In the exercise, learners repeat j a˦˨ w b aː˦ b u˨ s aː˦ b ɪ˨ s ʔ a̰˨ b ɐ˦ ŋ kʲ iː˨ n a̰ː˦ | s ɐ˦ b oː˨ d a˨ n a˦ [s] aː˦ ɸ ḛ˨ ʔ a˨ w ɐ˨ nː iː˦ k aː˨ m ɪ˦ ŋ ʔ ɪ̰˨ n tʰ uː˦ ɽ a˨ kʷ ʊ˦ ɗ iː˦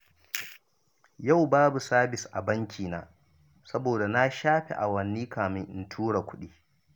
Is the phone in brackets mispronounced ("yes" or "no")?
yes